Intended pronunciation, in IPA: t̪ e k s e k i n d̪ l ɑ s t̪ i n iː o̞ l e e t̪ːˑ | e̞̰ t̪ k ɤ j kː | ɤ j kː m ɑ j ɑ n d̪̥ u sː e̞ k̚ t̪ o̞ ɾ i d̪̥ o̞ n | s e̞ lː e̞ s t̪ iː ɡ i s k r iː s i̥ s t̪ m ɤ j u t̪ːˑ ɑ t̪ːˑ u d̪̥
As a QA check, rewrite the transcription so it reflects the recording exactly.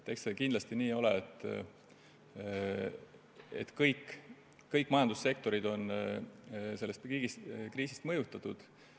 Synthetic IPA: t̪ e k s e k i n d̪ l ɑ s t̪ i n iː o̞ l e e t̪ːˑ | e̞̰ t̪ k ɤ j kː | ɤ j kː m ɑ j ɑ n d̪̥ u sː e̞ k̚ t̪ o̞ ɾ i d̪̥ o̞ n | s e̞ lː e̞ s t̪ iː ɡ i s k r iː s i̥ s t̪ m ɤ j u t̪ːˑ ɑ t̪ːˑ u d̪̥